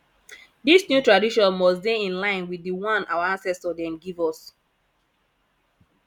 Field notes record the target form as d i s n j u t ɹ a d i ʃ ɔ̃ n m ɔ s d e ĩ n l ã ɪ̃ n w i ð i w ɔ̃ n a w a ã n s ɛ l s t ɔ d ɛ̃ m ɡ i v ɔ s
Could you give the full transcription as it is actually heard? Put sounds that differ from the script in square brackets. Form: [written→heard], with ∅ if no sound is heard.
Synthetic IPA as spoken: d i s n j u t ɹ a d i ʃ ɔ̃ n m ɔ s d e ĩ n l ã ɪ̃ n w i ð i w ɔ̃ n a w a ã n s ɛ [l→∅] s t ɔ d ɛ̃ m ɡ i v ɔ s